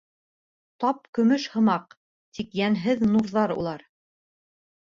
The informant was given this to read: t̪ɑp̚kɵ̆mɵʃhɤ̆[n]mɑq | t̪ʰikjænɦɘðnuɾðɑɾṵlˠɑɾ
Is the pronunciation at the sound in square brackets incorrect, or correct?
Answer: incorrect